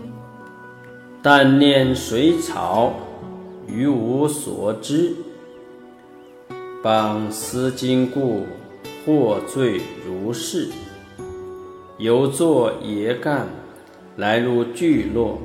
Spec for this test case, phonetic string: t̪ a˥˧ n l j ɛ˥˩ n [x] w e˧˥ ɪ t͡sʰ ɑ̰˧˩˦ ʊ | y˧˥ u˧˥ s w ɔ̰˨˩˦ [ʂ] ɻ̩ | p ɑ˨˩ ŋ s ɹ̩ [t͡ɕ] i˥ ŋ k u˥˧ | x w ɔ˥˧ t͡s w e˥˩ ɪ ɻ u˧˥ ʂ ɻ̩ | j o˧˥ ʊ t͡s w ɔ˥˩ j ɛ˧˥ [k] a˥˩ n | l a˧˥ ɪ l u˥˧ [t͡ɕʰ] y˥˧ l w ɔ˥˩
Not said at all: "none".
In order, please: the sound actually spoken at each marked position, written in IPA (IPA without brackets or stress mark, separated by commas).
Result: ʂ, ʈ͡ʂ, t͡ɕ, k, t͡ɕ